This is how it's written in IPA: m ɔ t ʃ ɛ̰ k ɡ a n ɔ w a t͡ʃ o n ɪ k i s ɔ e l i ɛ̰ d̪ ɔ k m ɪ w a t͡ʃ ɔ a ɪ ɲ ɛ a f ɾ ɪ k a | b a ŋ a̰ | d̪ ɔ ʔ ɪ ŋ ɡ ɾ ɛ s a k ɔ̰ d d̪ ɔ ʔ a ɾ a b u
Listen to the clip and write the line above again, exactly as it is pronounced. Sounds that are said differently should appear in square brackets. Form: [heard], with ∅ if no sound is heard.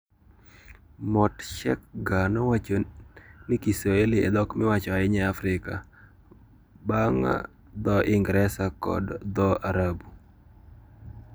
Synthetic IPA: m ɔ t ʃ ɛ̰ k ɡ a n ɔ w a t͡ʃ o n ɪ k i s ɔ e l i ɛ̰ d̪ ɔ k m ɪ w a t͡ʃ ɔ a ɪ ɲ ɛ a f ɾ ɪ k a | b a ŋ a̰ | d̪ ɔ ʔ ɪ ŋ ɡ ɾ ɛ s a k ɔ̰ d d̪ ɔ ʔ a ɾ a b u